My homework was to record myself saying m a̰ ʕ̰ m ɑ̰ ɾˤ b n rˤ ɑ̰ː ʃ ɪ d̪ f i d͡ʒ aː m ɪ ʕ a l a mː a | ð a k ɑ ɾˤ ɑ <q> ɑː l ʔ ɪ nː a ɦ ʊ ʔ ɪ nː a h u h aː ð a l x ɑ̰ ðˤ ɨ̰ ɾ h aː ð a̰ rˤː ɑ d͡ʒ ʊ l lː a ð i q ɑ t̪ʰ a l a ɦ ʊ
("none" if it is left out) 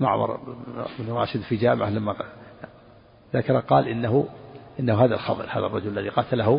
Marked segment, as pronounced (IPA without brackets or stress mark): q